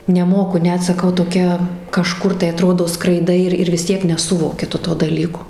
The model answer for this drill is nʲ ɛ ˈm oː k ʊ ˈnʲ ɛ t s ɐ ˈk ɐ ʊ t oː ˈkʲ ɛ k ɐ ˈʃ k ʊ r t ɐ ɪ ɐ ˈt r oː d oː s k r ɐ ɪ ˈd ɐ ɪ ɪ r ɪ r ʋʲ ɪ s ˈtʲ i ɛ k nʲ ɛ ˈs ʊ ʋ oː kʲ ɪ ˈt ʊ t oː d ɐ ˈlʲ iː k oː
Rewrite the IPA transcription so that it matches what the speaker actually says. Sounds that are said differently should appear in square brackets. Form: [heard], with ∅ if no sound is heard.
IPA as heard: nʲ ɛ ˈm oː k ʊ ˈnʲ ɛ t s ɐ ˈk ɐ ʊ t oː ˈkʲ ɛ k ɐ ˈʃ k ʊ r t ɐ ɪ ɐ ˈt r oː d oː s k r ɐ ɪ ˈd ɐ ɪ ɪ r ɪ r ʋʲ ɪ s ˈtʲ i ɛ k nʲ ɛ ˈs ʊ ʋ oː kʲ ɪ ˈt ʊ t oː d ɐ ˈlʲ iː k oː